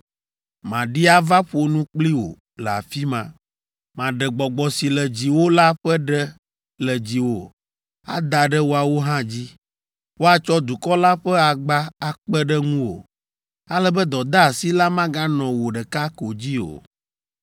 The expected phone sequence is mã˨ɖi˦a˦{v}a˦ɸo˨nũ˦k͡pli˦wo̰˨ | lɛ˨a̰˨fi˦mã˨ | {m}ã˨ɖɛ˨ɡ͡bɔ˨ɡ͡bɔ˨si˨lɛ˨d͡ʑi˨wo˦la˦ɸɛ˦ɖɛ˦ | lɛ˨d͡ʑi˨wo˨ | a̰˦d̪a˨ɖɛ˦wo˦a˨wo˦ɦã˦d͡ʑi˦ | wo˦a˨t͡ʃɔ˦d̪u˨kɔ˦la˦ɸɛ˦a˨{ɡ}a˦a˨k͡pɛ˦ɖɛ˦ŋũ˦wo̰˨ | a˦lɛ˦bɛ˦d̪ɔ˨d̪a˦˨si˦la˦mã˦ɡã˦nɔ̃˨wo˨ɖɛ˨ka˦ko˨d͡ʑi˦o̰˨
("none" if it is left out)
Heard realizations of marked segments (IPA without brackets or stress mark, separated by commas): v, m, ɡ͡b